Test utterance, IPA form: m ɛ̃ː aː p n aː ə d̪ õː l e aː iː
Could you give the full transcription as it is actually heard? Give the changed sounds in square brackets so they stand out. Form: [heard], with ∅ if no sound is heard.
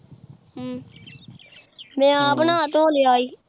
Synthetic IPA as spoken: m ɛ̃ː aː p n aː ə [t̪] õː l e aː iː

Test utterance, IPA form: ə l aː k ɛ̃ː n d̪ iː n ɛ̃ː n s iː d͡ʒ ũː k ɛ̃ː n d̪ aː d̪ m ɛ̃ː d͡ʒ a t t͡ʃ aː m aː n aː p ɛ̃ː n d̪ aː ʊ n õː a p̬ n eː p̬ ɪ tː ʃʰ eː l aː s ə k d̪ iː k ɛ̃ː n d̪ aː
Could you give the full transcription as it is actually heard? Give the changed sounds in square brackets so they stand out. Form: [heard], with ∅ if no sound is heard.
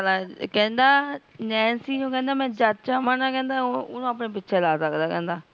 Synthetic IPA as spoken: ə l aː k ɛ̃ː n d̪ [aː] n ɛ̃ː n s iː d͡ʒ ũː k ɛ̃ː n d̪ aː [∅] m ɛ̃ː d͡ʒ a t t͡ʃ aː m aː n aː [k] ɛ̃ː n d̪ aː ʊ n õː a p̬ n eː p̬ ɪ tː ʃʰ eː l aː s ə k d̪ [aː] k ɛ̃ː n d̪ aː

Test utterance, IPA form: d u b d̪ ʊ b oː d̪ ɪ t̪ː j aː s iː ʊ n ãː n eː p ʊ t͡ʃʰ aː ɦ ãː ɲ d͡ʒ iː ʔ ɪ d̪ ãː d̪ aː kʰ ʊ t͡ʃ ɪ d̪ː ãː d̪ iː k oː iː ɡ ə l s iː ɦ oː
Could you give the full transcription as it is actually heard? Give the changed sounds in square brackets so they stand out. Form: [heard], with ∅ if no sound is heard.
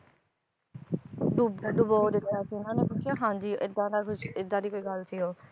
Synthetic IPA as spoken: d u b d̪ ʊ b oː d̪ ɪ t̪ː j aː s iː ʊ n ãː n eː p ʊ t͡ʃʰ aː ɦ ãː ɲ d͡ʒ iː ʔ ɪ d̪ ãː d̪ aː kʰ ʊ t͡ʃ ɪ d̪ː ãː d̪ iː k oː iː ɡ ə l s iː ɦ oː

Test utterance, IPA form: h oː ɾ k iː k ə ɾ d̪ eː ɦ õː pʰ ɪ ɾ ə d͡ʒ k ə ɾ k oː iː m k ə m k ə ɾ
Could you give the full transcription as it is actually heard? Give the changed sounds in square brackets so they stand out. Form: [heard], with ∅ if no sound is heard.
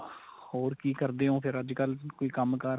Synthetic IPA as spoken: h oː ɾ k iː k ə ɾ d̪ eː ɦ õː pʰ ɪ ɾ ə d͡ʒ k ə [l] k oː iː [∅] k ə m k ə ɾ

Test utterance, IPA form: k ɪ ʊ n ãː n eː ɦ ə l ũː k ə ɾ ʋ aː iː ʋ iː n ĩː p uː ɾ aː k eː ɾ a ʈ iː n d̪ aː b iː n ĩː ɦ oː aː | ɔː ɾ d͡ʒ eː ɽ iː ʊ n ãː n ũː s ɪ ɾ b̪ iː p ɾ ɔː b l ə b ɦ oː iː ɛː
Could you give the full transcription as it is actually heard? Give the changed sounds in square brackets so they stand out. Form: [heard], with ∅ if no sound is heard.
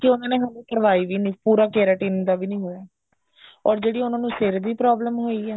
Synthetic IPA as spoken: k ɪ ʊ n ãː n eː ɦ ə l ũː k ə ɾ ʋ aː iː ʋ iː n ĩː p uː ɾ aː k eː ɾ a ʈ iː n d̪ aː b iː n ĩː ɦ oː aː | ɔː ɾ d͡ʒ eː ɽ iː ʊ n ãː n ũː s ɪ ɾ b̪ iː p ɾ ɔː b l ə [m] ɦ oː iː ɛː

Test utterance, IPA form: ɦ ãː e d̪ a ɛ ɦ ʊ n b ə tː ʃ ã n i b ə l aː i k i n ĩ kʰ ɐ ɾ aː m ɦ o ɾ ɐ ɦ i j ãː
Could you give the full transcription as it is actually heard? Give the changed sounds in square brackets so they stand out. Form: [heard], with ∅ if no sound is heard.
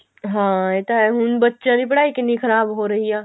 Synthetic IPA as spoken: ɦ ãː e [t̪] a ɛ ɦ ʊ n b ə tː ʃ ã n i [p] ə [ɽ] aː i k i n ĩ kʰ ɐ ɾ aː [b] ɦ o ɾ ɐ ɦ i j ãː

